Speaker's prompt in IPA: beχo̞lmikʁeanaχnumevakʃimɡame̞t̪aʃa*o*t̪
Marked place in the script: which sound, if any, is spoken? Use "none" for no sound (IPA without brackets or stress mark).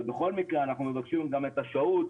u